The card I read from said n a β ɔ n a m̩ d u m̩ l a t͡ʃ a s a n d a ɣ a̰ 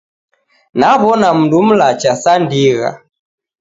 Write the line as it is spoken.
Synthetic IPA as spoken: n a β ɔ n a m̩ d u m̩ l a t͡ʃ a s a n d i ɣ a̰